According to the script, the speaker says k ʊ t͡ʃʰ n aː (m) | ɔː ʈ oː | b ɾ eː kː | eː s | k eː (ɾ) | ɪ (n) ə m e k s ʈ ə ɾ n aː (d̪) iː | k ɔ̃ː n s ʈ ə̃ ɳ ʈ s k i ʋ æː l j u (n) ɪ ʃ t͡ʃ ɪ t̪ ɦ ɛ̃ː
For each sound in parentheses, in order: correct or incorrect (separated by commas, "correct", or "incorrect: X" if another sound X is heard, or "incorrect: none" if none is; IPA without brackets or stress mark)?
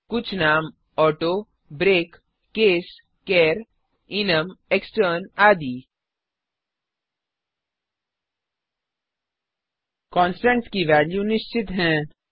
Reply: correct, correct, correct, correct, correct